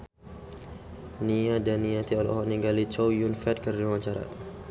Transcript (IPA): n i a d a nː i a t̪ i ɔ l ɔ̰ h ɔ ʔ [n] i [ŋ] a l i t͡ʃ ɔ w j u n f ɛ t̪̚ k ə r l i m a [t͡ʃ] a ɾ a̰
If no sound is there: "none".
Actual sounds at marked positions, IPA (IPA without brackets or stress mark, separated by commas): n, ɡ, t͡ʃ